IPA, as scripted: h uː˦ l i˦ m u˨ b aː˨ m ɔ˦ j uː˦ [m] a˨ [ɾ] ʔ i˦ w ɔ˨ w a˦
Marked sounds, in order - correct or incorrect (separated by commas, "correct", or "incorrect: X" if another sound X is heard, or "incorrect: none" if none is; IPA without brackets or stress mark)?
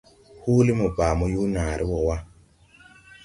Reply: incorrect: n, correct